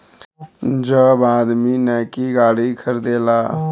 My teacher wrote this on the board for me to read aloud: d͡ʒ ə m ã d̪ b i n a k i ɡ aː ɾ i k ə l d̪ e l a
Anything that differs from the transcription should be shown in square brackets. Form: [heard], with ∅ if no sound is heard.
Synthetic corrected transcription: d͡ʒ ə [b] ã d̪ [m] i n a k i ɡ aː [ɽ] i [kʰ] ə [ɾ] d̪ e l a